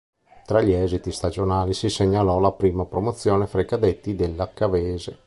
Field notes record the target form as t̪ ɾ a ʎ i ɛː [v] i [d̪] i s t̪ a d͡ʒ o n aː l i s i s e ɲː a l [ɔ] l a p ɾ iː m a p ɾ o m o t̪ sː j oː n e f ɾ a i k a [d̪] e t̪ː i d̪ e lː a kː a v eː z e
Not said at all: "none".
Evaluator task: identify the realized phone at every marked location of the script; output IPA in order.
z, t̪, ɔ, d̪

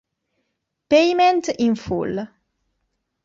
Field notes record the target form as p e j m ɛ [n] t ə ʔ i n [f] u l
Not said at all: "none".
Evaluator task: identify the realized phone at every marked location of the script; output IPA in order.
n, f

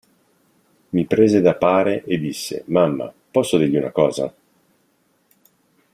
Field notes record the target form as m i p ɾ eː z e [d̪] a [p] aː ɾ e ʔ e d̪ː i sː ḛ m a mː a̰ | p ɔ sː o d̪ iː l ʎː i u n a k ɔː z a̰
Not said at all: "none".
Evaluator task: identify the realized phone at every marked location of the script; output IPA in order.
d̪, p

